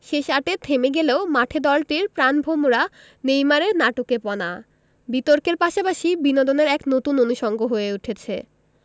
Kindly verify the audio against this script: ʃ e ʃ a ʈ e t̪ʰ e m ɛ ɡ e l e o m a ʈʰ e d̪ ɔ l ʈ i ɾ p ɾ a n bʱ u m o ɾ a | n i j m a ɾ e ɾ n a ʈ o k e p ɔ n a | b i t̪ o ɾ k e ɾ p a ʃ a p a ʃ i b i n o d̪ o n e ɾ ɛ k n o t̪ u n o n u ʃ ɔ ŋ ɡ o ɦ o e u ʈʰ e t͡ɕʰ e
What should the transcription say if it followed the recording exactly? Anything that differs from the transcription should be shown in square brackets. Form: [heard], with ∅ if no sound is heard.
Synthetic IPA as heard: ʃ e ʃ a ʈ e t̪ʰ e m [e] ɡ e l e o m a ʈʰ e d̪ ɔ l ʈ i ɾ p ɾ a n bʱ [o] m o ɾ a | n [e] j m a ɾ e ɾ n a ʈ o k e p ɔ n a | b i t̪ o ɾ k e ɾ p a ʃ a p a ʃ i b i n o d̪ o n e ɾ ɛ k n o t̪ u n o n u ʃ ɔ ŋ ɡ o ɦ o e u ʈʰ e t͡ɕʰ e

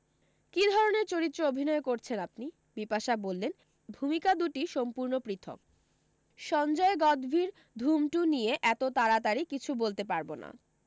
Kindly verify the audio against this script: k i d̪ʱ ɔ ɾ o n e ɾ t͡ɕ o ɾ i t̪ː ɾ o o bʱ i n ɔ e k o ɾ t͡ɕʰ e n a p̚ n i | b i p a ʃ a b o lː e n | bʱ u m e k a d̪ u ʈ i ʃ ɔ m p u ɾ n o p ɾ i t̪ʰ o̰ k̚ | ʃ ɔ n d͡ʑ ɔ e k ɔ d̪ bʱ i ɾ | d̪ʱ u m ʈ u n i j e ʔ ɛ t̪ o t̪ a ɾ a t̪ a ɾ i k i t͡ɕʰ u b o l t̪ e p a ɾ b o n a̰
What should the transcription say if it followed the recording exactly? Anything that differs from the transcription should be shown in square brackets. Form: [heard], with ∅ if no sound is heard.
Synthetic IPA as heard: k i d̪ʱ ɔ ɾ o n e ɾ t͡ɕ o ɾ i t̪ː ɾ o o bʱ i n ɔ e k o ɾ t͡ɕʰ e n a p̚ n i | b i p a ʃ a b o lː e n | bʱ u m [i] k a d̪ u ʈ i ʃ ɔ m p u ɾ n o p ɾ i t̪ʰ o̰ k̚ | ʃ ɔ n d͡ʑ ɔ e [ɡ] ɔ d̪ bʱ i ɾ | d̪ʱ u m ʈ u n i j e ʔ ɛ t̪ o t̪ a ɾ a t̪ a ɾ i k i t͡ɕʰ u b o l t̪ e p a ɾ b o n a̰

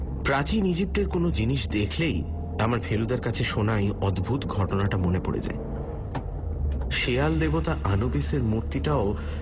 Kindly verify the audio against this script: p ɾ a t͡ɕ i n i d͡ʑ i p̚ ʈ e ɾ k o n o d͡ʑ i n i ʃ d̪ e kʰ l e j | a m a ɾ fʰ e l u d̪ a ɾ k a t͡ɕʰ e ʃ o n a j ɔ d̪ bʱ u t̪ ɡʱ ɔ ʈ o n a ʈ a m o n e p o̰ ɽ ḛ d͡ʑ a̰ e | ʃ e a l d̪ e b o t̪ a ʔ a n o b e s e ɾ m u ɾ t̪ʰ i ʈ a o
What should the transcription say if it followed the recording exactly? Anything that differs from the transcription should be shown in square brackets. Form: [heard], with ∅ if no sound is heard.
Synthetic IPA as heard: p ɾ a t͡ɕ i n i d͡ʑ i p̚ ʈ e ɾ k o n o d͡ʑ i n i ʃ d̪ e kʰ l e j | a m a ɾ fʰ e l u d̪ a ɾ k a t͡ɕʰ e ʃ o n a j ɔ d̪ bʱ u t̪ ɡʱ ɔ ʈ o n a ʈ a m o n e p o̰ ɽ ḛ d͡ʑ a̰ e | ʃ e a l d̪ e b o t̪ a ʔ a n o b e s e ɾ m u ɾ [t̪] i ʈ a o

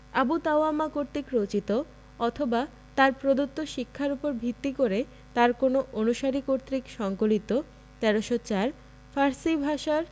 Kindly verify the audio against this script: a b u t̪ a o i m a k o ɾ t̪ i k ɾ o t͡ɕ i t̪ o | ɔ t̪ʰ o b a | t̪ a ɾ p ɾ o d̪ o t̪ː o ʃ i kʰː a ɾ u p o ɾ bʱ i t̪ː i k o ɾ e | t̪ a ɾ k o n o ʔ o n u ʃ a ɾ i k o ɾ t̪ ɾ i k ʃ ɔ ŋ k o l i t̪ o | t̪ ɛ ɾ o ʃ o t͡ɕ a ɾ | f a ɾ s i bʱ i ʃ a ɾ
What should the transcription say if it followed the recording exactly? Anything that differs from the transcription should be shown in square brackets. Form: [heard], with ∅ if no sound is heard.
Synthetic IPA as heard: a b u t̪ a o [a] m a k o ɾ t̪ i k ɾ o t͡ɕ i t̪ o | ɔ t̪ʰ o b a | t̪ a ɾ p ɾ o d̪ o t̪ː o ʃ i kʰː a ɾ u p o ɾ bʱ i t̪ː i k o ɾ e | t̪ a ɾ k o n o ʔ o n u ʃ a ɾ i k o ɾ t̪ ɾ i k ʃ ɔ ŋ k o l i t̪ o | t̪ ɛ ɾ o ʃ o t͡ɕ a ɾ | f a ɾ s i bʱ [a] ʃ a ɾ

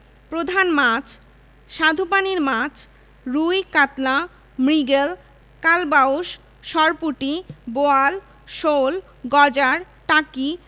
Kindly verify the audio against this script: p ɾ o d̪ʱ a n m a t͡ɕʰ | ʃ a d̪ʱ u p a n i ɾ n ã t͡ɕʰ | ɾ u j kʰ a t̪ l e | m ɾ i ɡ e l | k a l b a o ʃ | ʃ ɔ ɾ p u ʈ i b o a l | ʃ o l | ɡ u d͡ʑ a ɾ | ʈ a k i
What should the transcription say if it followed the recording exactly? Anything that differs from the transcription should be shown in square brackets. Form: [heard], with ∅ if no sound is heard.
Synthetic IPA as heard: p ɾ o d̪ʱ a n m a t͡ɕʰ | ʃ a d̪ʱ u p a n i ɾ [m] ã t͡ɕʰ | ɾ u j [k] a t̪ l [a] | m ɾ i ɡ e l | k a l b a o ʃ | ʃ ɔ ɾ p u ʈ i b o a l | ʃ o l | ɡ [ɔ] d͡ʑ a ɾ | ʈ a k i

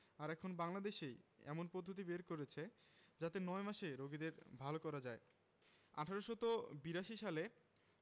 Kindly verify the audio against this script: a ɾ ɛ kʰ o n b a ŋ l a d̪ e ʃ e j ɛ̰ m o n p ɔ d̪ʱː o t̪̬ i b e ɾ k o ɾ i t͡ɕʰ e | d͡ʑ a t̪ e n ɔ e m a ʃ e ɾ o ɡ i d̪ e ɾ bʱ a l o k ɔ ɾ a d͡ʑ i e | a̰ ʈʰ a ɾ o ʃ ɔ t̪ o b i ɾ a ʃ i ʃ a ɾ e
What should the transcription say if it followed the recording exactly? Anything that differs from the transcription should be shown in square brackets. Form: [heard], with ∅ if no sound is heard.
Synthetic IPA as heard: a ɾ ɛ kʰ o n b a ŋ l a d̪ e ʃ e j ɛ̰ m o n p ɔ d̪ʱː o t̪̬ i b e ɾ k o ɾ [e] t͡ɕʰ e | d͡ʑ a t̪ e n ɔ e m a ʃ e ɾ o ɡ i d̪ e ɾ bʱ a l o k ɔ ɾ a d͡ʑ [a] e | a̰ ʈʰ a ɾ o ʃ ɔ t̪ o b i ɾ a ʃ i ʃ a [l] e

